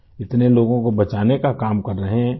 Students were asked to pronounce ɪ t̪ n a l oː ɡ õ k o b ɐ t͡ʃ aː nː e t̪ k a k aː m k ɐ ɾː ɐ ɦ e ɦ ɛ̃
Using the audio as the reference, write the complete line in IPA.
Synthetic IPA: ɪ t̪ n e l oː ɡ õ k o b ɐ t͡ʃ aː n e k a k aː m k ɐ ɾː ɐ ɦ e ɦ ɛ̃